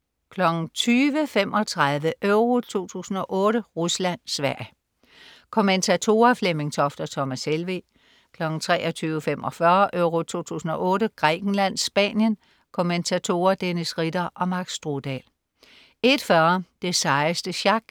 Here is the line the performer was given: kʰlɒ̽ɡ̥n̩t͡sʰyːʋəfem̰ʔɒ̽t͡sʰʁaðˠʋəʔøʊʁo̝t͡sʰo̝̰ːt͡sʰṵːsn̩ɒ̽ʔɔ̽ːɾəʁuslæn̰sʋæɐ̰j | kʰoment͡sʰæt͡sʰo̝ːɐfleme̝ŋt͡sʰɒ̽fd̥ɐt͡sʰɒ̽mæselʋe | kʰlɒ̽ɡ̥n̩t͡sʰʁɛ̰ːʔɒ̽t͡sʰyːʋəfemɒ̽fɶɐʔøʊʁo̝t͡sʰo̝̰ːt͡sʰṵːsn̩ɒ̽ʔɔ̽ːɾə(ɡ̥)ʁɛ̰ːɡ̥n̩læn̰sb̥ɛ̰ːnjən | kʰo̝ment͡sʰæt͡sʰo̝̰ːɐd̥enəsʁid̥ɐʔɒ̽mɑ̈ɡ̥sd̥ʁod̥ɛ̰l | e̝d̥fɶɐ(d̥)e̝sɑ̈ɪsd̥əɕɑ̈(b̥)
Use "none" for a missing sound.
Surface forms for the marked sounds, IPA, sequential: ɡ̥, d̥, ɡ̥

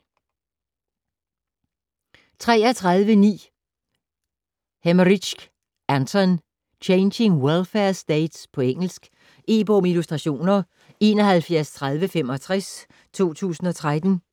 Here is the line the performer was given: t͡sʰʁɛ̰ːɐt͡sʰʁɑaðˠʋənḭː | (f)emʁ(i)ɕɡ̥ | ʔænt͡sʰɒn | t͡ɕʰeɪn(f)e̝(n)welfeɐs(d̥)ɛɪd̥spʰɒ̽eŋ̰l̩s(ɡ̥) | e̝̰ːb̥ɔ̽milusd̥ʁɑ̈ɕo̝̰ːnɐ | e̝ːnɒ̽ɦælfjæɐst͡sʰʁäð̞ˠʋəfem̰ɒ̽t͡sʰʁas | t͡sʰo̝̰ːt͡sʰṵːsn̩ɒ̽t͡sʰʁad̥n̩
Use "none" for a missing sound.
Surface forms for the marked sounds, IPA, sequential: h, i, ɕ, ŋ, d̥, ɡ̥

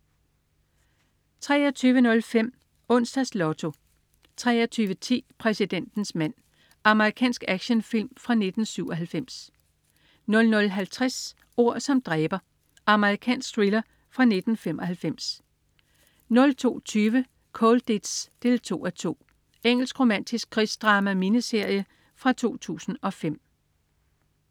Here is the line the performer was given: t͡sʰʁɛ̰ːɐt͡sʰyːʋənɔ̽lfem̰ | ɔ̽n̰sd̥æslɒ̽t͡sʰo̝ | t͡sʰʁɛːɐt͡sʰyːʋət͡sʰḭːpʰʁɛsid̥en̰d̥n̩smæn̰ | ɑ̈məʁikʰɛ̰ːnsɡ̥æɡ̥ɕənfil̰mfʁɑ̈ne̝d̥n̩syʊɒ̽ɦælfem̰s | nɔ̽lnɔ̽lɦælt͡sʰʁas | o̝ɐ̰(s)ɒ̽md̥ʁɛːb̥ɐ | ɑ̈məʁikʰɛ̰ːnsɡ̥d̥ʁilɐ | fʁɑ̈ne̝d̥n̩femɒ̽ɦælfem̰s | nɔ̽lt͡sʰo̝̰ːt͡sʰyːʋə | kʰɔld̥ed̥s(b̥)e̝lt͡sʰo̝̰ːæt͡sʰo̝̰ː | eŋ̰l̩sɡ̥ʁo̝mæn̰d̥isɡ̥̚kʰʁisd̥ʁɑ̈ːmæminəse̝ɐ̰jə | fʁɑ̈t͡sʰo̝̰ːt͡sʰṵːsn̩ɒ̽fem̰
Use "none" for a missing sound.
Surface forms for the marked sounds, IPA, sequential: s, d̥

